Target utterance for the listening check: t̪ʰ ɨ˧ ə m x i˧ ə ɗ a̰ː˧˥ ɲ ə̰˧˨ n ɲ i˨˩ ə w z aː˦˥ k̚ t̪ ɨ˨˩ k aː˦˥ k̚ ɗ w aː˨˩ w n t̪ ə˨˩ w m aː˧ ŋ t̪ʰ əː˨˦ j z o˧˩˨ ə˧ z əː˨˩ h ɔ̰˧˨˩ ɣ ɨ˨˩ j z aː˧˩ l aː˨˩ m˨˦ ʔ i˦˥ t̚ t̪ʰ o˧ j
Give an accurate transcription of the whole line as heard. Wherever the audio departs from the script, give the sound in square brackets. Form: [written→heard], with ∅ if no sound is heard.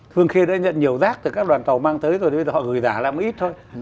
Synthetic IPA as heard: t̪ʰ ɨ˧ ə [m→ŋ] x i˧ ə ɗ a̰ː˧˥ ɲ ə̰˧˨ n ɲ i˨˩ ə w z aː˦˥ k̚ t̪ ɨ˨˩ k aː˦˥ k̚ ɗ w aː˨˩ [w→∅] n t̪ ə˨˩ w m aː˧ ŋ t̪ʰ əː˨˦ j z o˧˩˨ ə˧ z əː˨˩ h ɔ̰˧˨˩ ɣ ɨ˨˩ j z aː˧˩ l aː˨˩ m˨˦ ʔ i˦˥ t̚ t̪ʰ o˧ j